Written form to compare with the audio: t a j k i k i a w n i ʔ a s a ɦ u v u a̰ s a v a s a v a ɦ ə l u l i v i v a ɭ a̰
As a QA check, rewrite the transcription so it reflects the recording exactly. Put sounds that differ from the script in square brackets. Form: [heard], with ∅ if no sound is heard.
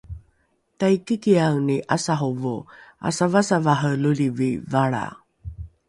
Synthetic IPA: t a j k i k i a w n i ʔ a s a ɦ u v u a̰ s a v a s a v a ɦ ə l u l i v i v a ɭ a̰

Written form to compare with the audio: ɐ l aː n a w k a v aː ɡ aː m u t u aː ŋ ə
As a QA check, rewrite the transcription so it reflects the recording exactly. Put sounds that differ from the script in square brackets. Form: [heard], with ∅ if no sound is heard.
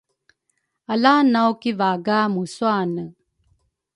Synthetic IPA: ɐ l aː n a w k [i] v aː ɡ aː m u [s] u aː [n] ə

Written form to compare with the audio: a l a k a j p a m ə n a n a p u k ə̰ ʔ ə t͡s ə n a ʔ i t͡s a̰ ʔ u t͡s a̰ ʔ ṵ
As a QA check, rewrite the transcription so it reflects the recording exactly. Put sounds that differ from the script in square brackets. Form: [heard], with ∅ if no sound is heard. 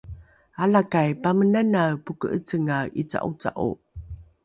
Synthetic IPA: a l a k a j p a m ə n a n a p u k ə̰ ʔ ə t͡s ə [ŋ] a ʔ i t͡s a̰ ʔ u t͡s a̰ ʔ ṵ

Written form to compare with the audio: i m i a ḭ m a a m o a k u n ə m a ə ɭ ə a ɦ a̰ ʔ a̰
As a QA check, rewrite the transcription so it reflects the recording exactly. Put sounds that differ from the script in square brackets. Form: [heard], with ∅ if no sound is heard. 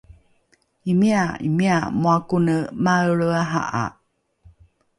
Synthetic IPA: i m i a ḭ m [i] a m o a k u n ə m a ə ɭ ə a ɦ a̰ ʔ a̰

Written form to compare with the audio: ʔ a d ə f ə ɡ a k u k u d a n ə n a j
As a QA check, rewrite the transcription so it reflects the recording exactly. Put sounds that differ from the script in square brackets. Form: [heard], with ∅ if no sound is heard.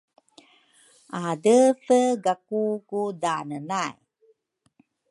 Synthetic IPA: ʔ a d ə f ə ɡ a k u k u d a n ə n a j

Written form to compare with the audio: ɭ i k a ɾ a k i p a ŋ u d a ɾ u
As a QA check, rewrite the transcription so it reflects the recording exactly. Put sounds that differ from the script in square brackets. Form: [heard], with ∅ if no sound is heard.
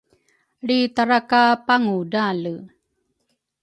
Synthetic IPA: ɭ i [t] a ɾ a k [a] p a ŋ u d a [l] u

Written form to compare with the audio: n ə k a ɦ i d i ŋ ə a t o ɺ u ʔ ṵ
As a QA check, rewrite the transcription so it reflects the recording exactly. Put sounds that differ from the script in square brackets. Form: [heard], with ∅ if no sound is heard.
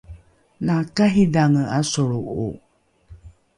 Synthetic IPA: n [a] k a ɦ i d [a] ŋ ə a [s] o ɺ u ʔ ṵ

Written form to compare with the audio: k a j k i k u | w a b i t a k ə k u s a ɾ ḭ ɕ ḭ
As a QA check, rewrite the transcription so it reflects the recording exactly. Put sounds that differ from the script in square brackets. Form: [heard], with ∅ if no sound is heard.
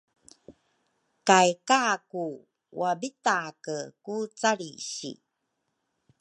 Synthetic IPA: k a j k [a] k u | w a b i t a k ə k u [t͡s] a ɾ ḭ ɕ ḭ

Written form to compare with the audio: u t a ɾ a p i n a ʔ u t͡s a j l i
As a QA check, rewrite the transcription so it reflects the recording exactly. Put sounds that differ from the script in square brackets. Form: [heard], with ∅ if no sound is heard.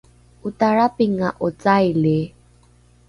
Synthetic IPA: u t a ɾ a p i [ŋ] a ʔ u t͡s a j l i

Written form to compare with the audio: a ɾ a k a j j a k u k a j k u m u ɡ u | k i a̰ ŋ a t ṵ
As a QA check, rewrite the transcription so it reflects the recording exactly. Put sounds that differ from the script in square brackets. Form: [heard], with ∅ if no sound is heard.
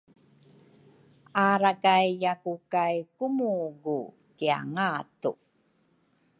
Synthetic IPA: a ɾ a k a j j a k u k a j k u m u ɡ u | k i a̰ ŋ a t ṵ

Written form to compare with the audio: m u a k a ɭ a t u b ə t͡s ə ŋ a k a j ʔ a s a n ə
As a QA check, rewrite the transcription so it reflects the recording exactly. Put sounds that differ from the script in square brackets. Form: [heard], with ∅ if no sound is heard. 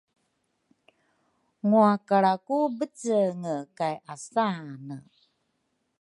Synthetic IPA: [ŋ] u a k a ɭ a [k] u b ə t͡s ə ŋ [ə] k a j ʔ a s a n ə

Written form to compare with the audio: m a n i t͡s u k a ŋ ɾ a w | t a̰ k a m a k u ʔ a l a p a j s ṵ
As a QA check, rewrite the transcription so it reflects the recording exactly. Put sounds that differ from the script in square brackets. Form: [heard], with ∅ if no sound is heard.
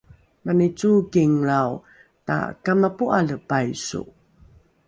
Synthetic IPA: m a n i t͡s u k [i] ŋ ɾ a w | t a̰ k a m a [p] u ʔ a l [ə] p a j s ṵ

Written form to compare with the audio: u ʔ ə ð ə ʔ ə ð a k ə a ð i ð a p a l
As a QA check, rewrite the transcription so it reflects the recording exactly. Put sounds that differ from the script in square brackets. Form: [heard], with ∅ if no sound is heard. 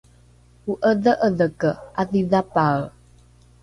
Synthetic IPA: u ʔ ə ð ə ʔ ə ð [ə] k ə a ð i ð a p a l

